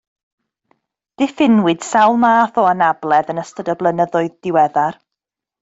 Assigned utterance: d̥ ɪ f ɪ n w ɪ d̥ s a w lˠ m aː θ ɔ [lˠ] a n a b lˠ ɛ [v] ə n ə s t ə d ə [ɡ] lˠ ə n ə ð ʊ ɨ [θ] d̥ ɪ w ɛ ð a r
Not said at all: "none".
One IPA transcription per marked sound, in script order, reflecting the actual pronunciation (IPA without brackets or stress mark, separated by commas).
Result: none, ð, b, ð